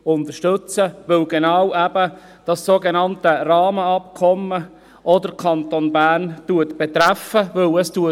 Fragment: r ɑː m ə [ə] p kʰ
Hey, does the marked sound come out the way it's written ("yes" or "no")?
no